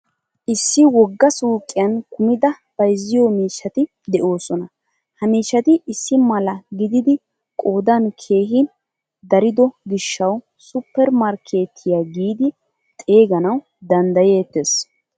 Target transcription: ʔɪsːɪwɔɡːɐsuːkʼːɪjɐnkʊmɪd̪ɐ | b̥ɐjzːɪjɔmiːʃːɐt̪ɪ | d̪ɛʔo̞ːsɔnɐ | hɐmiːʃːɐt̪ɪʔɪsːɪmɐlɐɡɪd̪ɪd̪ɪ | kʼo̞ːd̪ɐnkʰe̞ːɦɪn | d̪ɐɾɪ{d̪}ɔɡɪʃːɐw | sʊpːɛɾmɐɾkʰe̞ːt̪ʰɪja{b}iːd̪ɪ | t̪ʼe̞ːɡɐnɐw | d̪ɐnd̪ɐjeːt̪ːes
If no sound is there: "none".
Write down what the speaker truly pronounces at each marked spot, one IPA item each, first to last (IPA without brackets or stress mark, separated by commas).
d̪, ɡ